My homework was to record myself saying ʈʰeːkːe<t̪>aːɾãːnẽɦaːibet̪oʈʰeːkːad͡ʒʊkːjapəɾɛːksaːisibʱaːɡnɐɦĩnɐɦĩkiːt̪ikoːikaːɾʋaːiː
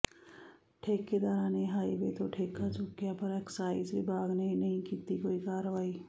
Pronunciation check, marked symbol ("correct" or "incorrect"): incorrect